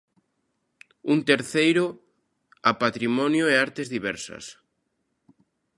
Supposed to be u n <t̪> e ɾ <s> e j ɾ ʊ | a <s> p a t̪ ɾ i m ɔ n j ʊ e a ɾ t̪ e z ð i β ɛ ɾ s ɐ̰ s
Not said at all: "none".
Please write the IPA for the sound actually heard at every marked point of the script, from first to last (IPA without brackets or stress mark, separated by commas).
t̪, θ, none